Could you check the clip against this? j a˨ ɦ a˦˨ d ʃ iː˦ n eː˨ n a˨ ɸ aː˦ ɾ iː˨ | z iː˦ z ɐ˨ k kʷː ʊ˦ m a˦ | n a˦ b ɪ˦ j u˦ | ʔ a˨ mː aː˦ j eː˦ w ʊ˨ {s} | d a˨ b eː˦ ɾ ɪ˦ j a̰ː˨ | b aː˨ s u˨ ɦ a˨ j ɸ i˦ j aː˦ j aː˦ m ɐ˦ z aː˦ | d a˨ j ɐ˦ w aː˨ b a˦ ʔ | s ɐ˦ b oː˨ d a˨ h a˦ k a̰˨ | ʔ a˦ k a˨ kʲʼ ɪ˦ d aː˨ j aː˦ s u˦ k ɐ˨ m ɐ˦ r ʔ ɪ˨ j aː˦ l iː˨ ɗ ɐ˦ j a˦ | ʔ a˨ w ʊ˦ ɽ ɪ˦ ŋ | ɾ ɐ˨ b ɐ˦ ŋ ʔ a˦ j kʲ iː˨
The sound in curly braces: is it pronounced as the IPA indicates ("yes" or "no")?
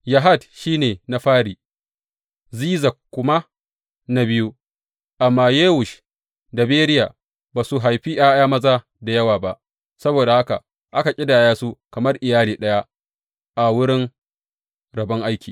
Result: no